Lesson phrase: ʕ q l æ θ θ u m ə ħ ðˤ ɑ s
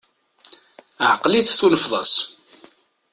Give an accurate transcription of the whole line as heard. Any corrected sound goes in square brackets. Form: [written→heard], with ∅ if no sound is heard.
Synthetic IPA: ʕ q l [æ→i] θ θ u [m→n] ə [ħ→f] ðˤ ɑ s